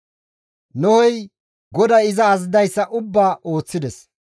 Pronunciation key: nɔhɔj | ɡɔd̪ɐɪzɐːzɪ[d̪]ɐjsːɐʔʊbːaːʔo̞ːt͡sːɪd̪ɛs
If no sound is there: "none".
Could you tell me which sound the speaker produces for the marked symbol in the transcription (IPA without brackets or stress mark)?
d̪